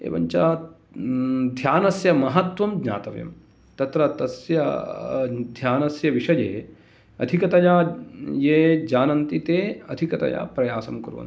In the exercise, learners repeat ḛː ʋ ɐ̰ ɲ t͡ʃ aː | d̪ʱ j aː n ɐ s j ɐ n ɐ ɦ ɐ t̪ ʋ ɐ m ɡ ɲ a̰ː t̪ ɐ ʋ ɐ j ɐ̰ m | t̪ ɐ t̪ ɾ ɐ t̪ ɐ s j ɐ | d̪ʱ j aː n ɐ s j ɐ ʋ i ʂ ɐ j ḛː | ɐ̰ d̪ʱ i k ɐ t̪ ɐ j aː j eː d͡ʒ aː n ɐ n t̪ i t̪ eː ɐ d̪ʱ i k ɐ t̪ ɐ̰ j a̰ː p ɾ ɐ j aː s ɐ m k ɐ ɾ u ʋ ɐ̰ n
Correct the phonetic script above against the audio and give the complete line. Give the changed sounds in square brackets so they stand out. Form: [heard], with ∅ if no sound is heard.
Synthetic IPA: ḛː ʋ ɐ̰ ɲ t͡ʃ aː | d̪ʱ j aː n ɐ s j ɐ [m] ɐ ɦ ɐ t̪ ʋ ɐ m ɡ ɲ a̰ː t̪ ɐ ʋ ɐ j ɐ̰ m | t̪ ɐ t̪ ɾ ɐ t̪ ɐ s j ɐ | d̪ʱ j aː n ɐ s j ɐ ʋ i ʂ ɐ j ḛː | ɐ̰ d̪ʱ i k ɐ t̪ ɐ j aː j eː d͡ʒ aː n ɐ n t̪ i t̪ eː ɐ d̪ʱ i k ɐ t̪ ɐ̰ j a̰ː p ɾ ɐ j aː s ɐ m k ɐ ɾ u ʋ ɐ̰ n

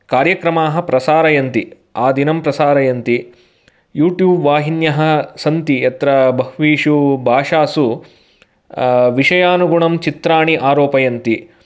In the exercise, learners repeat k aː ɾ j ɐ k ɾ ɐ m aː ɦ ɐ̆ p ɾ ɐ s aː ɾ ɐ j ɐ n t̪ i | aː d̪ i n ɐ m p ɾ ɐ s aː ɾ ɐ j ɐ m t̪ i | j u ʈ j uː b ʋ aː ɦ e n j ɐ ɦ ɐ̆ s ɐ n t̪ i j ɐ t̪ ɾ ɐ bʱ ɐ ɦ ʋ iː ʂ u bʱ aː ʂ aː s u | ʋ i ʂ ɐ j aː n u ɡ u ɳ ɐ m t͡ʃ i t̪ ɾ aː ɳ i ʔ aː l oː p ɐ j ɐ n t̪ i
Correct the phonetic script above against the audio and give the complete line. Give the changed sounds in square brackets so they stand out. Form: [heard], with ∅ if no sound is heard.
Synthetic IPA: k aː ɾ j ɐ k ɾ ɐ m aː ɦ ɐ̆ p ɾ ɐ s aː ɾ ɐ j ɐ n t̪ i | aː d̪ i n ɐ m p ɾ ɐ s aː ɾ ɐ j ɐ [n] t̪ i | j [uː] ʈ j uː b ʋ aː ɦ [i] n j ɐ ɦ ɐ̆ s ɐ n t̪ i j ɐ t̪ ɾ ɐ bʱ ɐ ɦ ʋ iː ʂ u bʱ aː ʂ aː s u | ʋ i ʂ ɐ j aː n u ɡ u ɳ ɐ m t͡ʃ i t̪ ɾ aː ɳ i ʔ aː [ɾ] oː p ɐ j ɐ n t̪ i

